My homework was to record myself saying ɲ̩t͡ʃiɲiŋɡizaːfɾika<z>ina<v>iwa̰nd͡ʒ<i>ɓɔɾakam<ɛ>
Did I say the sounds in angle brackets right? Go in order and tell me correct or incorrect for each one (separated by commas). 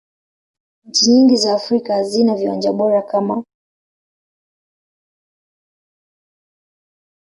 correct, correct, incorrect, incorrect